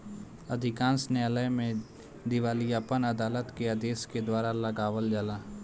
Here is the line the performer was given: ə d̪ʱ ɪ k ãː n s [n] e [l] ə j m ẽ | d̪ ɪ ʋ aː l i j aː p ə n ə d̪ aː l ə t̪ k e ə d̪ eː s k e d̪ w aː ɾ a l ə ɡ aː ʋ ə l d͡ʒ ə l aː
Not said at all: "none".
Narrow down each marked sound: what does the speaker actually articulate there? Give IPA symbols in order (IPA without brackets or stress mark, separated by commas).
n, l